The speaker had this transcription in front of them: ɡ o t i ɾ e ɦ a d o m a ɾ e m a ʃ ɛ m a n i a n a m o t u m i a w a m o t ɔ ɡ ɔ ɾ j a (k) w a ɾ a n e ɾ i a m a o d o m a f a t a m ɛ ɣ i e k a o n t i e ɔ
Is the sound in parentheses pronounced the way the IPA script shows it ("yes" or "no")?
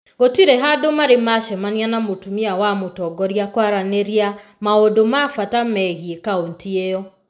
yes